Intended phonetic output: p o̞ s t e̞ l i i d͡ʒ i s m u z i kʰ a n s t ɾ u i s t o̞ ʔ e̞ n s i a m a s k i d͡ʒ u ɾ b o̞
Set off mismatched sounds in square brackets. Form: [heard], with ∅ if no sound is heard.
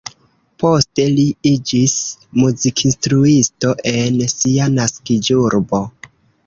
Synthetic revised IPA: p o̞ s t e̞ l i i d͡ʒ i s m u z i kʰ [i] n s t ɾ u i s t o̞ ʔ e̞ n s i a [n] a s k i d͡ʒ u ɾ b o̞